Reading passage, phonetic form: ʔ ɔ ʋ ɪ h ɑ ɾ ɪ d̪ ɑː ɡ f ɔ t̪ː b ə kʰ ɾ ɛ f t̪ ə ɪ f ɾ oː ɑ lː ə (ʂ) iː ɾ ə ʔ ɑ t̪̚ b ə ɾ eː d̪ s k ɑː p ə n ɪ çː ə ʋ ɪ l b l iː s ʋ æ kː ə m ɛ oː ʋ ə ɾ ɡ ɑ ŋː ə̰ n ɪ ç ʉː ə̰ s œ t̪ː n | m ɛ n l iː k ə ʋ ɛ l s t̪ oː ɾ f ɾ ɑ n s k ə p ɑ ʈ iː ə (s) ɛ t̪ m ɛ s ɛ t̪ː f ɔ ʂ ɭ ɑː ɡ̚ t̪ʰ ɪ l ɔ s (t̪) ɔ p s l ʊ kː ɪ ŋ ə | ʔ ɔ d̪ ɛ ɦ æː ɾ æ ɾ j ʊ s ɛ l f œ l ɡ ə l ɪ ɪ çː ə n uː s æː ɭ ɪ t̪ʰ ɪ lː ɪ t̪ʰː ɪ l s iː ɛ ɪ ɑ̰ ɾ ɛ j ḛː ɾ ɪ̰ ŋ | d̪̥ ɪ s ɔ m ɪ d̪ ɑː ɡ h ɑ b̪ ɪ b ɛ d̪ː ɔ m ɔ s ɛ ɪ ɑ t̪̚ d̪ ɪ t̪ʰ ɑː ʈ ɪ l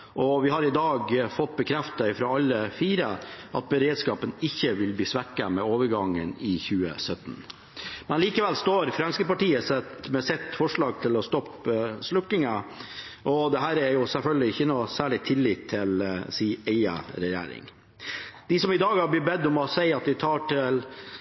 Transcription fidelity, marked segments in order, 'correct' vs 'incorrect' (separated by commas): incorrect, correct, correct